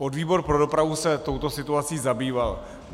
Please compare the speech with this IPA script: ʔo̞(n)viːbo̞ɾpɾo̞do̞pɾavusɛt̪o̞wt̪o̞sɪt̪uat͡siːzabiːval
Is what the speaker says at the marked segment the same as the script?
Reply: no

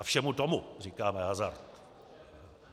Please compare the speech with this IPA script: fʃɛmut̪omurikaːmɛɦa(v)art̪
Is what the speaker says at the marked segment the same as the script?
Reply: no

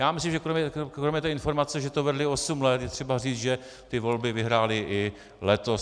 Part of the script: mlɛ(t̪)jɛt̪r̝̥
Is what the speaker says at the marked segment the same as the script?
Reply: yes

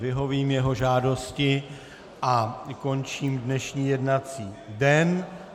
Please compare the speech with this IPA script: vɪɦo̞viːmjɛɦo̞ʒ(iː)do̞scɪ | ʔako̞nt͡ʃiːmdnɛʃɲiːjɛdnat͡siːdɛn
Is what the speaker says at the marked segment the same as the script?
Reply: no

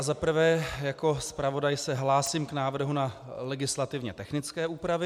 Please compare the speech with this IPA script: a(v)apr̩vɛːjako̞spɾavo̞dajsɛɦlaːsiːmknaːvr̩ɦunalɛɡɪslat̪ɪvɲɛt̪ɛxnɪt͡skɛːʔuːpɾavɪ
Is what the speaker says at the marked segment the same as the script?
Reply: no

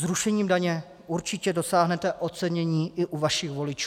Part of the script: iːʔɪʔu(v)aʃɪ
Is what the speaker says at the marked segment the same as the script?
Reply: yes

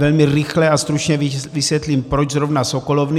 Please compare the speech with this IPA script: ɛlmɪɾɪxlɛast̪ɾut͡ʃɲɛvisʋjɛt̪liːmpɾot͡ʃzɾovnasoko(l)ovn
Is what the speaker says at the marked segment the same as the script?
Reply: yes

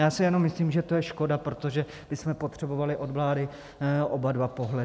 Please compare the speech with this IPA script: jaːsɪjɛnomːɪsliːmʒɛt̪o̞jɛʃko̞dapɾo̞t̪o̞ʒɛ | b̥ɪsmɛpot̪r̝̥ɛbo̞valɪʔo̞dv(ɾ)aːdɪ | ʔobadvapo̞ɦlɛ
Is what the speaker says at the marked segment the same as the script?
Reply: no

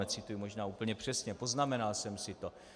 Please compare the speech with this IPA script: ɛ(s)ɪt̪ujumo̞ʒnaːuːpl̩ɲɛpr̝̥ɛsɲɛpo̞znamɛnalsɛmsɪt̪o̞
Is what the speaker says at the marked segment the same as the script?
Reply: no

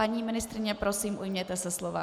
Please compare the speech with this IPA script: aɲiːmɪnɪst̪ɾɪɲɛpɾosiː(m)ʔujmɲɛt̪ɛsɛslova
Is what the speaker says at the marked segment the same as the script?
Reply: yes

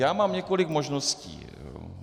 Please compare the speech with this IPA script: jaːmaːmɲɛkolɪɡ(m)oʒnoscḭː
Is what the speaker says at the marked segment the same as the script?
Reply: yes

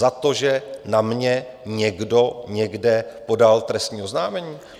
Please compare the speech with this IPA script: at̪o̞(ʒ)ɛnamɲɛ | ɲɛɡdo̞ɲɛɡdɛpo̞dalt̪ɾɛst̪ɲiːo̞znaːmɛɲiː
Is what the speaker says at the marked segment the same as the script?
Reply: yes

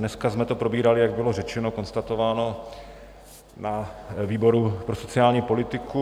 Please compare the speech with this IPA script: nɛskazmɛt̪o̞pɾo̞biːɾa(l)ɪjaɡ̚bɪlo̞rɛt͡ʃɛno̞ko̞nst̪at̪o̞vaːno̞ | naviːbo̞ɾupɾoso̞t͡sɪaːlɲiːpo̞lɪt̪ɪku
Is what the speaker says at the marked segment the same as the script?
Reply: yes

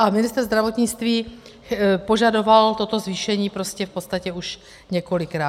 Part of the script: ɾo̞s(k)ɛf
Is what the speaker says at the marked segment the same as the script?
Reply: no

